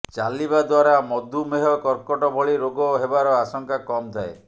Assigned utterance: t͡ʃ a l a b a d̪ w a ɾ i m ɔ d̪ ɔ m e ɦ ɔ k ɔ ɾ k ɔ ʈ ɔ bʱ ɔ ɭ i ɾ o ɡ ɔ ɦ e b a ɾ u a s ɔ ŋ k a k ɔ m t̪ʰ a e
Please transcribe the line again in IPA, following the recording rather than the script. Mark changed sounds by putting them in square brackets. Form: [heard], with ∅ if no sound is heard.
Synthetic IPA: t͡ʃ a l [i] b a d̪ w a ɾ [a] m ɔ d̪ [u] m e ɦ ɔ k ɔ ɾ k ɔ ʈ ɔ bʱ ɔ ɭ i ɾ o ɡ ɔ ɦ e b a ɾ [ɔ] a s ɔ ŋ k a k ɔ m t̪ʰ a e